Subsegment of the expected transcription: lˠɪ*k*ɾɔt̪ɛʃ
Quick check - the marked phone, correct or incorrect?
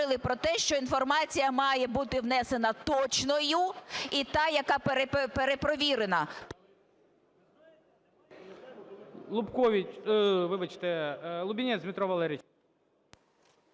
incorrect